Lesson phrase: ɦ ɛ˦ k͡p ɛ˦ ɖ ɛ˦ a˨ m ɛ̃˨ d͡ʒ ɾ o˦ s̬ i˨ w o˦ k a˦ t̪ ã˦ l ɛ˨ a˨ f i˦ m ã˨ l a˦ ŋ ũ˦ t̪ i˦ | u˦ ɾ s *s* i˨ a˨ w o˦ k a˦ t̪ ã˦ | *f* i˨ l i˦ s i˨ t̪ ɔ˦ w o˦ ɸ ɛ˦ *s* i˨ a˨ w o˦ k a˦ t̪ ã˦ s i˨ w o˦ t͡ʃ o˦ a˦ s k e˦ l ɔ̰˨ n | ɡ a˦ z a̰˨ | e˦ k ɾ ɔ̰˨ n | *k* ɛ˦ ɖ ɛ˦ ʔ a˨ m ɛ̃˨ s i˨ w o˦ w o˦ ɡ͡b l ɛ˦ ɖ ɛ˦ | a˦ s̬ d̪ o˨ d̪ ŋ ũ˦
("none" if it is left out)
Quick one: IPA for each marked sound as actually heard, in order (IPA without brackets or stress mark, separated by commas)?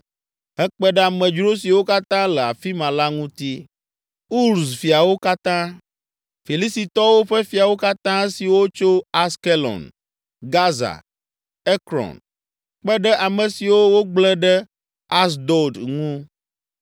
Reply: f, f, f, k͡p